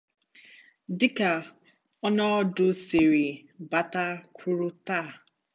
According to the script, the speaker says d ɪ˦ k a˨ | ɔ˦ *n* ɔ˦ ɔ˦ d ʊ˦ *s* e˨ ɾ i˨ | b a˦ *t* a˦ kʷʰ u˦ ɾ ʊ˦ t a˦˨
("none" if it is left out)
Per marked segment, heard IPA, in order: n, s, t

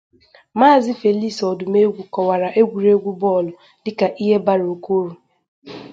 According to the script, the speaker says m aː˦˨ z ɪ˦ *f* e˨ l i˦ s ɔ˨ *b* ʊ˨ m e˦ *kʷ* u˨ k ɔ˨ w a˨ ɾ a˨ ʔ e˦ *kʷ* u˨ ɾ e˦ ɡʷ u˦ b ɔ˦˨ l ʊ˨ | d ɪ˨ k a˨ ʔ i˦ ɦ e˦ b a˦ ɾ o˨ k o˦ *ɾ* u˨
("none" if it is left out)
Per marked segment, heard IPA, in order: f, d, ɡʷ, ɡʷ, ɾ

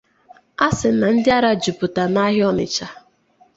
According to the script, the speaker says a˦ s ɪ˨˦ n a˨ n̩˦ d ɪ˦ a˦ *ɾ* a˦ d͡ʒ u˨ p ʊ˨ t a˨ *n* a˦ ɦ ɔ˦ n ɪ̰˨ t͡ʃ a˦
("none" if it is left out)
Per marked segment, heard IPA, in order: ɾ, n

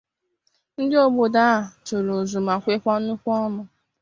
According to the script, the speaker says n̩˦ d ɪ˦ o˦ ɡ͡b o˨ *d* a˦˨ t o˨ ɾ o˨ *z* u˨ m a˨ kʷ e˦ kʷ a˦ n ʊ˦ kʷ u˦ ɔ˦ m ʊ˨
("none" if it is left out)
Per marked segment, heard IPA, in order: d, z

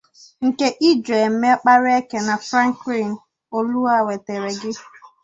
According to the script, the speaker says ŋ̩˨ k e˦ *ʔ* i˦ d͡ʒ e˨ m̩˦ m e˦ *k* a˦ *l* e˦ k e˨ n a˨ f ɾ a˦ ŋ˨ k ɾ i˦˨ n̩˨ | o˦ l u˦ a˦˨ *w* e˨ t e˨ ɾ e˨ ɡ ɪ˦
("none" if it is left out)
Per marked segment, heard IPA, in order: ʔ, k͡p, ɾ, w

